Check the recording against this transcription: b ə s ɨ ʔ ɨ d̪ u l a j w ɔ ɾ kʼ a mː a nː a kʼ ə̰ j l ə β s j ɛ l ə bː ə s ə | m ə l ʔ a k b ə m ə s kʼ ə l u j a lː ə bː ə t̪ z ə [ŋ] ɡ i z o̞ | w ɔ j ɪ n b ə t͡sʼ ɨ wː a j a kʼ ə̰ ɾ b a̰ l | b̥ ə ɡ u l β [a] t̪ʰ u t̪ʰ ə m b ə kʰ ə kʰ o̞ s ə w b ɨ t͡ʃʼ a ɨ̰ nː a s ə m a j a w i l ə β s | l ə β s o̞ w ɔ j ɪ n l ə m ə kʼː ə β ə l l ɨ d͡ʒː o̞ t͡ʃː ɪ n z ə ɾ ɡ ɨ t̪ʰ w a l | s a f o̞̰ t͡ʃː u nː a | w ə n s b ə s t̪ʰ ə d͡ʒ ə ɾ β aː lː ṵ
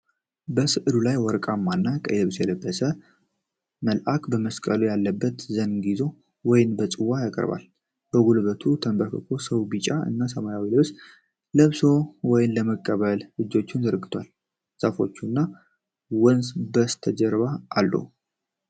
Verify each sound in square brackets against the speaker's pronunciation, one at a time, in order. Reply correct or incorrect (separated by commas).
incorrect, incorrect